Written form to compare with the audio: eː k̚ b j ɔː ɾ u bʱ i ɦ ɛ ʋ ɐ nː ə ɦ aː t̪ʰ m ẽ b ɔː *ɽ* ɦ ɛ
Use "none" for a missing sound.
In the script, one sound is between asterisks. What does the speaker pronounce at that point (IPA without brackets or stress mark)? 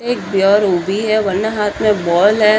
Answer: l